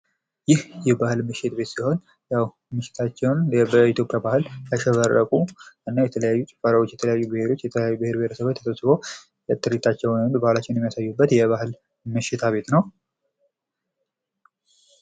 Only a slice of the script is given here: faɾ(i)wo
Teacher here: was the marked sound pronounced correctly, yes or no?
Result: no